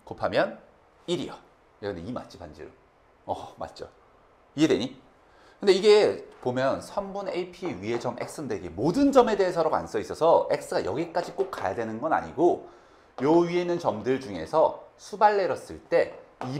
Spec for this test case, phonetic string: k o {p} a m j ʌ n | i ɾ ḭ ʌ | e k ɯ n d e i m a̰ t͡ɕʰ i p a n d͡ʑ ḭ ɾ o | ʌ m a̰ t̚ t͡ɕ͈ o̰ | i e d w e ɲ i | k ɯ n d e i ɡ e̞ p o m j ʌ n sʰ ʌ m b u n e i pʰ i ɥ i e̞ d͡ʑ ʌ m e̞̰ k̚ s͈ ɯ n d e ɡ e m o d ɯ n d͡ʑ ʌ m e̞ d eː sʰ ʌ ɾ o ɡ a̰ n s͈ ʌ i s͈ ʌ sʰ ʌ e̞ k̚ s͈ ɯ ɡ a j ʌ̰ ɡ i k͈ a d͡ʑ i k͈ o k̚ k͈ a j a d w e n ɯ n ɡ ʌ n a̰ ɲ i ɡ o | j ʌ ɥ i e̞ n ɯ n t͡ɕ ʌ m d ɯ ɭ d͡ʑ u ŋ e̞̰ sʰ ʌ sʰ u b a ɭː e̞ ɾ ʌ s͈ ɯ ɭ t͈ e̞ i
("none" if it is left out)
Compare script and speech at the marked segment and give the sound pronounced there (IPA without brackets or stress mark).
pʰ